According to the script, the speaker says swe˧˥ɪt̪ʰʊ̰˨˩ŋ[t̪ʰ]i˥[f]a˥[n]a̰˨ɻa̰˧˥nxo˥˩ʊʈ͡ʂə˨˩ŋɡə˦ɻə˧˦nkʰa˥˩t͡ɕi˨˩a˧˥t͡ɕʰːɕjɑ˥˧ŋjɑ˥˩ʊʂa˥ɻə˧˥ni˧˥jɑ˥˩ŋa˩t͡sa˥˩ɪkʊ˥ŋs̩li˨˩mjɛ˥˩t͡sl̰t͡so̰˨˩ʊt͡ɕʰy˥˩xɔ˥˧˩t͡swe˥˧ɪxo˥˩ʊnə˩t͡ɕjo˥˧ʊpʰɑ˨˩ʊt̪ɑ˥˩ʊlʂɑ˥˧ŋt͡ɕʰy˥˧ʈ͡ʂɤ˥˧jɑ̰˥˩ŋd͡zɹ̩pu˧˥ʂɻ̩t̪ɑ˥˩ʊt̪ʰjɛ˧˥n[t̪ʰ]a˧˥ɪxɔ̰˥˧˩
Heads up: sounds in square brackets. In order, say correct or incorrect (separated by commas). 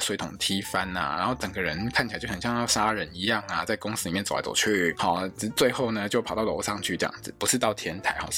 correct, correct, correct, correct